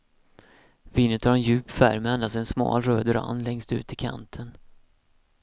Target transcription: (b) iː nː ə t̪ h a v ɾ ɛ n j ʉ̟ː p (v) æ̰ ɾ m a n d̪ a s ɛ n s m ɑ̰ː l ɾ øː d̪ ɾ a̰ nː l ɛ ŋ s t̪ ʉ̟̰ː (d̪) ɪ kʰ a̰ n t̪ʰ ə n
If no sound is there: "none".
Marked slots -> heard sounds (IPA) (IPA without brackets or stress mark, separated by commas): v, f, t̪